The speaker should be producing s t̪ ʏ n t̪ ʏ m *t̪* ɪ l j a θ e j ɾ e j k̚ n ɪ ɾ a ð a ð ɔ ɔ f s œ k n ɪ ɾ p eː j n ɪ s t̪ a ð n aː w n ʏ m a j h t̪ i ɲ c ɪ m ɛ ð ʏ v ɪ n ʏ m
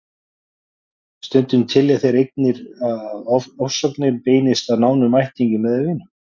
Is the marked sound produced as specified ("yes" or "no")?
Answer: no